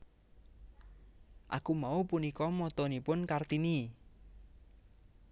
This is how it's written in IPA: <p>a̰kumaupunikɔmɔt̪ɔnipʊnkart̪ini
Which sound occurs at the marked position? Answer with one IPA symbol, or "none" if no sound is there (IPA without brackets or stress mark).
ʔ